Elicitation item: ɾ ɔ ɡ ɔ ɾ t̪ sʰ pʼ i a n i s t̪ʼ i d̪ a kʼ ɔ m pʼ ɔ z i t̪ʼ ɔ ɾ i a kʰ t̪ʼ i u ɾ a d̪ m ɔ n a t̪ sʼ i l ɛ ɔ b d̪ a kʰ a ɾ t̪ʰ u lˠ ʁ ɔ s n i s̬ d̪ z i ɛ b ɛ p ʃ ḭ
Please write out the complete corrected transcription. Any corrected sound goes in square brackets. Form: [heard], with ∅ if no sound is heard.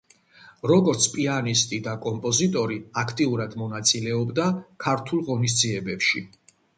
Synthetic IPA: ɾ ɔ ɡ ɔ ɾ t̪ sʰ pʼ i a n i s t̪ʼ i d̪ a kʼ ɔ m pʼ ɔ z i t̪ʼ ɔ ɾ i a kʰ t̪ʼ i u ɾ a d̪ m ɔ n a t̪ sʼ i l ɛ ɔ b d̪ a kʰ a ɾ t̪ʰ u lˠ ʁ ɔ [∅] n i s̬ d̪ z i ɛ b ɛ p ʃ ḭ

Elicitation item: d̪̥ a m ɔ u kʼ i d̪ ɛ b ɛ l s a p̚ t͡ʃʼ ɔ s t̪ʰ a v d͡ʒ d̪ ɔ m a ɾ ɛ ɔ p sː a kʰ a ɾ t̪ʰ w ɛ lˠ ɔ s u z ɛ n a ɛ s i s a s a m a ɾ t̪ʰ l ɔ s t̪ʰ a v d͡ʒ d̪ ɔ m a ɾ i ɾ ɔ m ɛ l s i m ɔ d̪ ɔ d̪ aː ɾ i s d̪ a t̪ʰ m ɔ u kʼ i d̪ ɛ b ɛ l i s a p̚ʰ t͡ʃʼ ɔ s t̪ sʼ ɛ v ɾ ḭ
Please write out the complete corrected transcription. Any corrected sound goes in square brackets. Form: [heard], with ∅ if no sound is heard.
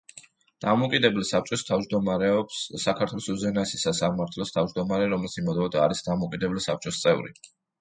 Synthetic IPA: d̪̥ a m ɔ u kʼ i d̪ ɛ b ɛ l s a p̚ t͡ʃʼ ɔ s t̪ʰ a v d͡ʒ d̪ ɔ m a ɾ ɛ ɔ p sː a kʰ a ɾ t̪ʰ w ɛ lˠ ɔ s u z ɛ n a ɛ s i s a s a m a ɾ t̪ʰ l ɔ s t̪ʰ a v d͡ʒ d̪ ɔ m a ɾ [ɛ] ɾ ɔ m ɛ l s i m ɔ d̪ ɔ d̪ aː ɾ i s d̪ a [∅] m ɔ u kʼ i d̪ ɛ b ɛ l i s a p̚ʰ t͡ʃʼ ɔ s t̪ sʼ ɛ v ɾ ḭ

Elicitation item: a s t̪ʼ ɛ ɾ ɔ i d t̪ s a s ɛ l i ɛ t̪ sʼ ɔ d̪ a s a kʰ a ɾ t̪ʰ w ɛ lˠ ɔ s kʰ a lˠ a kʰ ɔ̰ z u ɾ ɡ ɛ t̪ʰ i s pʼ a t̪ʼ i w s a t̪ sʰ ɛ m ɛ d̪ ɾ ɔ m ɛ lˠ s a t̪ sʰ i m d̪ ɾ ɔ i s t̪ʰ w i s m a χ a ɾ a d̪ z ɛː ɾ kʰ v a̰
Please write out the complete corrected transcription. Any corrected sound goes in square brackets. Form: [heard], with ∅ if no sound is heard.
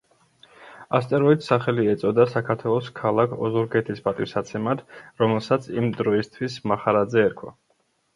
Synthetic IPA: a s t̪ʼ ɛ ɾ ɔ i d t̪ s a [χ] ɛ l i ɛ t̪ sʼ ɔ d̪ a s a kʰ a ɾ t̪ʰ w ɛ lˠ ɔ s kʰ a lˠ a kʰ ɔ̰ z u ɾ ɡ ɛ t̪ʰ i s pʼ a t̪ʼ i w s a t̪ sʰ ɛ m [a] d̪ ɾ ɔ m ɛ lˠ s a t̪ sʰ i m d̪ ɾ ɔ i s t̪ʰ w i s m a χ a ɾ a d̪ z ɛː ɾ kʰ [w] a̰

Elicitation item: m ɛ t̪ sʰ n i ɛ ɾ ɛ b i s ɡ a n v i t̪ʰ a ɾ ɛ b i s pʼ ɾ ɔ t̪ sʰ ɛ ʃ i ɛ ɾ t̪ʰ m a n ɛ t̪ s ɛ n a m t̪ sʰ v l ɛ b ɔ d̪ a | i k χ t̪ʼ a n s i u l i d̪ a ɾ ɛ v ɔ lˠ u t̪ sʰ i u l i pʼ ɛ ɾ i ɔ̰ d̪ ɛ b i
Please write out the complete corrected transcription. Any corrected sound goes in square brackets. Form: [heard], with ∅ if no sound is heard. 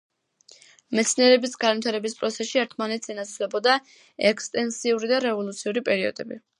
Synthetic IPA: m ɛ t̪ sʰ n i ɛ ɾ ɛ b i s ɡ a n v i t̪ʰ a ɾ ɛ b i s pʼ ɾ ɔ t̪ sʰ ɛ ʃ i ɛ ɾ t̪ʰ m a n ɛ t̪ s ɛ n a [∅] t̪ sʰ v l ɛ b ɔ d̪ a | [ɛ] k [s] t̪ʼ [ɛ] n s i u [ɾ] i d̪ a ɾ ɛ v ɔ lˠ u t̪ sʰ i u [ɾ] i pʼ ɛ ɾ i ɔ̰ d̪ ɛ b i

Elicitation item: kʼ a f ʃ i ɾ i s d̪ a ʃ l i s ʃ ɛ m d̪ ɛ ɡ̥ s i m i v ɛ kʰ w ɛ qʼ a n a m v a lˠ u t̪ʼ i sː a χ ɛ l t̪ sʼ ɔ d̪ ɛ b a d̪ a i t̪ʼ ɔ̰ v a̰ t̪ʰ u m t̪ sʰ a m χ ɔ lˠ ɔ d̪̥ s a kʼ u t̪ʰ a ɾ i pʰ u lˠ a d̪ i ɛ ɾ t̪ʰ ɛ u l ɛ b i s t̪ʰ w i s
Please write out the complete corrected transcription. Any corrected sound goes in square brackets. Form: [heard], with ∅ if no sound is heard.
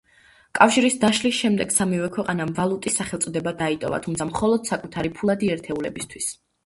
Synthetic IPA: kʼ a f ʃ i ɾ i s d̪ a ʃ l i s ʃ ɛ m d̪ ɛ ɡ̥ s [a] m i v ɛ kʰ w ɛ qʼ a n a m v a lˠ u t̪ʼ i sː a χ ɛ l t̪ sʼ ɔ d̪ ɛ b a d̪ a i t̪ʼ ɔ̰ v a̰ t̪ʰ u m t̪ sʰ a m χ ɔ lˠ ɔ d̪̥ s a kʼ u t̪ʰ a ɾ i pʰ u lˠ a d̪ i ɛ ɾ t̪ʰ ɛ u l ɛ b i s t̪ʰ w i s

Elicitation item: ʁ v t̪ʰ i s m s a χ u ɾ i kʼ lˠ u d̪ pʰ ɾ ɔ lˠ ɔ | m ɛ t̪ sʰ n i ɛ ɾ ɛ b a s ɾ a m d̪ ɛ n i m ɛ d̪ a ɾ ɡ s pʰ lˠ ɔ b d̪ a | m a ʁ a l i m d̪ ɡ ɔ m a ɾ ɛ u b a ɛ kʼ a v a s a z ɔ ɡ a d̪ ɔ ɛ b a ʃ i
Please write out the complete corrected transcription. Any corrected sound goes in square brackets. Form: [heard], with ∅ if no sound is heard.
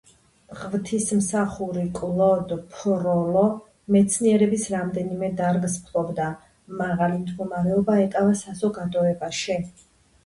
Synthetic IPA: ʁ v t̪ʰ i s m s a χ u ɾ i kʼ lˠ [ɔ] d̪ pʰ ɾ ɔ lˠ ɔ | m ɛ t̪ sʰ n i ɛ ɾ ɛ b [i] s ɾ a m d̪ ɛ n i m ɛ d̪ a ɾ ɡ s pʰ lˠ ɔ b d̪ a | m a ʁ a l i m d̪ ɡ ɔ m a ɾ ɛ [ɔ] b a ɛ kʼ a v a s a z ɔ ɡ a d̪ ɔ ɛ b a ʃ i

